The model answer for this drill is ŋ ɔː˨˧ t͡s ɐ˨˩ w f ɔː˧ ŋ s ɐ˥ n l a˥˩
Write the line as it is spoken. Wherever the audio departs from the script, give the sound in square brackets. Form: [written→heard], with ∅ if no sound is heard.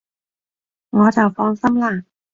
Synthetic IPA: ŋ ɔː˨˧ t͡s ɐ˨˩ w f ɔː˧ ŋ s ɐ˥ [n→m] l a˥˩